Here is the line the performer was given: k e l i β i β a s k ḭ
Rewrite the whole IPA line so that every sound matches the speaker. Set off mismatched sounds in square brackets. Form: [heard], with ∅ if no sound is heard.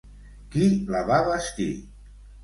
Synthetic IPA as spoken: k [i] l [a] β [a] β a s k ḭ